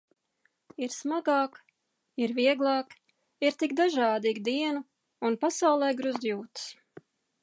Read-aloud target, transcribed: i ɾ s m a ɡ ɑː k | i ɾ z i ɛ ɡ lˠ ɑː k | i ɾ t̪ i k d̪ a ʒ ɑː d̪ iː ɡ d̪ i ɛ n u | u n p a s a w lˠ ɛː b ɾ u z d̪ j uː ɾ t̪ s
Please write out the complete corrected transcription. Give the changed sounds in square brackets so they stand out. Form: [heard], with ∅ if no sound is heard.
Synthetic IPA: i ɾ s m a ɡ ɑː k | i ɾ [v] i ɛ ɡ lˠ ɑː k | i ɾ t̪ i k d̪ a ʒ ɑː d̪ iː ɡ d̪ i ɛ n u | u n p a s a w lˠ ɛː [ɡ] ɾ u z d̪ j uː [∅] t̪ s